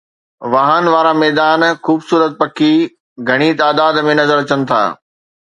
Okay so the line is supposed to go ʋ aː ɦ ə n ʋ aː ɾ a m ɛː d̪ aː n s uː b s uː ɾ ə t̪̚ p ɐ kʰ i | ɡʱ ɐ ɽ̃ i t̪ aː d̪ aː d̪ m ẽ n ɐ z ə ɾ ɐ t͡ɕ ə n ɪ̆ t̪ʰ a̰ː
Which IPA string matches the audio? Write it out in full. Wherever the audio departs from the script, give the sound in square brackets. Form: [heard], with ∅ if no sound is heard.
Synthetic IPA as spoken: ʋ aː ɦ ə n ʋ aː ɾ a m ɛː d̪ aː n [x] uː b s uː ɾ ə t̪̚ p ɐ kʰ i | ɡʱ ɐ ɽ̃ i t̪ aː d̪ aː d̪ m ẽ n ɐ z ə ɾ ɐ t͡ɕ ə n ɪ̆ t̪ʰ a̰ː

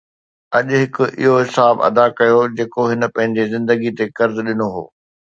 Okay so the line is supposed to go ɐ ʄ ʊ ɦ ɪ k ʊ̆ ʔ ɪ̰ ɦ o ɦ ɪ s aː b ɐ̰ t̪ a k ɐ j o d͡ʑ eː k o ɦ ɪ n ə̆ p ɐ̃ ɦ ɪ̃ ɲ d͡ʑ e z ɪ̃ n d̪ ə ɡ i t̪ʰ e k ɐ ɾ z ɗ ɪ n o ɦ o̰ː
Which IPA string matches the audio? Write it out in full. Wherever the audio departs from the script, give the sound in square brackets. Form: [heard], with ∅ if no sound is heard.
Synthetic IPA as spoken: ɐ ʄ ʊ ɦ ɪ k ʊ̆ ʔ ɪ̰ ɦ o ɦ ɪ s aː b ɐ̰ [d̪] a k ɐ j o d͡ʑ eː k o ɦ ɪ n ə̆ p ɐ̃ ɦ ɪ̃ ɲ d͡ʑ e z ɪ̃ n d̪ ə ɡ i [t̪] e k ɐ ɾ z ɗ ɪ n o ɦ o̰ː

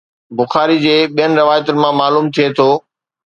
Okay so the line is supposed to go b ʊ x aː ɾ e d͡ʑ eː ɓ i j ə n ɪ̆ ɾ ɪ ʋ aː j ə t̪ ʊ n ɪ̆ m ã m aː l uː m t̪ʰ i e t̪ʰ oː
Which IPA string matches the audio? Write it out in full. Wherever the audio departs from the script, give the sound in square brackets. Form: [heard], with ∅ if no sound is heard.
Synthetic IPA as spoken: b ʊ x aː ɾ [i] d͡ʑ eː ɓ i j ə n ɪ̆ ɾ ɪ ʋ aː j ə t̪ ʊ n ɪ̆ m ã m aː l uː m t̪ʰ i e t̪ʰ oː

